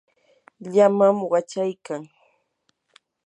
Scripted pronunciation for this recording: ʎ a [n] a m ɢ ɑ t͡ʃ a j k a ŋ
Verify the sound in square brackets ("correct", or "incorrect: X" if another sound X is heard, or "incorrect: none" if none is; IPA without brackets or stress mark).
incorrect: m